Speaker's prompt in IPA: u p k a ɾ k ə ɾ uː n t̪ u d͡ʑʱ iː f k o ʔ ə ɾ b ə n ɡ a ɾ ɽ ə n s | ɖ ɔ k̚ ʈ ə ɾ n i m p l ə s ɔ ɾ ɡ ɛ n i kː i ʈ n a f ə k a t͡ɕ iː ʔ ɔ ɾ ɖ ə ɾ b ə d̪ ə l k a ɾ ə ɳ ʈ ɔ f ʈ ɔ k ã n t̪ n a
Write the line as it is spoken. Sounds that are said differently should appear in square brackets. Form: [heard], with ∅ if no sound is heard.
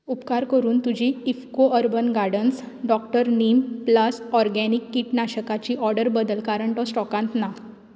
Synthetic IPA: u p k a ɾ k ə ɾ uː n t̪ u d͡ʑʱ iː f k o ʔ ə ɾ b ə n ɡ a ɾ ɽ ə n s | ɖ ɔ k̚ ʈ ə ɾ n i m p l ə s ɔ ɾ ɡ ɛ n i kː i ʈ n a [ɕ] ə k a t͡ɕ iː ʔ ɔ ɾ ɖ ə ɾ b ə d̪ ə l k a ɾ ə ɳ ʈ ɔ [s] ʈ ɔ k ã n t̪ n a